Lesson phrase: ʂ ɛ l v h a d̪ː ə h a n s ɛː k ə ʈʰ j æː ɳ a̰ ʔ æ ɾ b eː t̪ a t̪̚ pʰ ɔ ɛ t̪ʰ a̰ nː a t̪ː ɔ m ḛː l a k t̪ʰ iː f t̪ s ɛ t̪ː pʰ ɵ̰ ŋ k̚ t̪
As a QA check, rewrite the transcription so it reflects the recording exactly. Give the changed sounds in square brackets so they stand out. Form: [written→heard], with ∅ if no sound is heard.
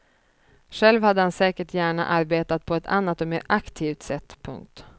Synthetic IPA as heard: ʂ ɛ l v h a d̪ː ə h a n s ɛː k ə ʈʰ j æː ɳ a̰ ʔ [æ→a] ɾ b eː t̪ a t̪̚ pʰ ɔ ɛ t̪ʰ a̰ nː a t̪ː ɔ m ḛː [l→ɾ] a k t̪ʰ iː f t̪ s ɛ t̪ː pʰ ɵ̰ ŋ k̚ t̪